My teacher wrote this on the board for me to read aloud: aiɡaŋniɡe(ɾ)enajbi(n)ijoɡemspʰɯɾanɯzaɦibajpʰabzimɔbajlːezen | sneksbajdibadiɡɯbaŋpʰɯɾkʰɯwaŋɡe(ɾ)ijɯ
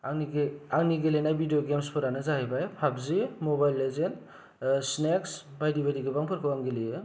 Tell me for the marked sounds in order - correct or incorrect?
incorrect, incorrect, incorrect

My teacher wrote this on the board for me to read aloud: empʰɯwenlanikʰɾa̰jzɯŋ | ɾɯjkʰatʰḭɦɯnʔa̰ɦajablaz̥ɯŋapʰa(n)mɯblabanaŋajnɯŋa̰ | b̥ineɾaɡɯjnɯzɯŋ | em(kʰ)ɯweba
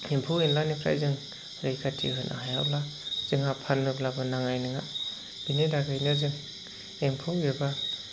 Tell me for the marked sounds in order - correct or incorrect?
correct, incorrect

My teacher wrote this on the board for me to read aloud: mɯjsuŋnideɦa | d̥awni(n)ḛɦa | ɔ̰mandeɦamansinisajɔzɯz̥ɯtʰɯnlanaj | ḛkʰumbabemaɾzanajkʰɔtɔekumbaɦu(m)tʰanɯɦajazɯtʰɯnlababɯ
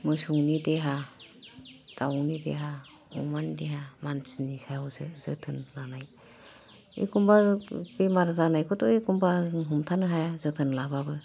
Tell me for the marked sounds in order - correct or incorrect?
incorrect, correct

